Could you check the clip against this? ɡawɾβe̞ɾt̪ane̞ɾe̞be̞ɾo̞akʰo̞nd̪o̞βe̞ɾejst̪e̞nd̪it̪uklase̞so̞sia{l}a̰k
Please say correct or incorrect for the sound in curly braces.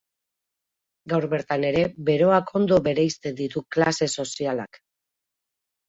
correct